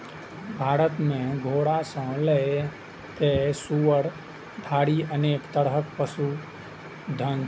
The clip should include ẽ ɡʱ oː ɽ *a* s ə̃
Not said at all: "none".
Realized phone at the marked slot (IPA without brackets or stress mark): a